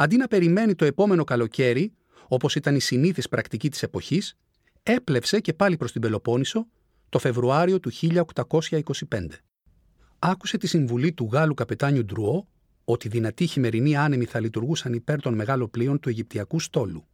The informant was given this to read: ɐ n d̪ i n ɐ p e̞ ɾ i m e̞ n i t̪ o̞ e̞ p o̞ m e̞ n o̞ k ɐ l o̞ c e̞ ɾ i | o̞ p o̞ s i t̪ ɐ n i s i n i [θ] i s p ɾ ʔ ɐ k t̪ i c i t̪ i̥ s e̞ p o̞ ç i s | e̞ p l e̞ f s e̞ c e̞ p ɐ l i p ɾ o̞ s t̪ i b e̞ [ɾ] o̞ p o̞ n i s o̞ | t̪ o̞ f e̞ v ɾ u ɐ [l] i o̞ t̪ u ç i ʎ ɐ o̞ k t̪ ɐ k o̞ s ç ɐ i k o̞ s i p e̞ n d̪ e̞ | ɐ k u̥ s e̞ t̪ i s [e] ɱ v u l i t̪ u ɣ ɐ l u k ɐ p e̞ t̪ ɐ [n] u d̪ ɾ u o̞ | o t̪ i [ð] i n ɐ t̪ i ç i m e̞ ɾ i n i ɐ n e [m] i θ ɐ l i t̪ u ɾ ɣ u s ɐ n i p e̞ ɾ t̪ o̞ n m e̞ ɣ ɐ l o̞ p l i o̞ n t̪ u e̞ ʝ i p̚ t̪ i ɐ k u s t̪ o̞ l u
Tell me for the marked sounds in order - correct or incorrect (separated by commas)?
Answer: correct, incorrect, incorrect, incorrect, incorrect, correct, correct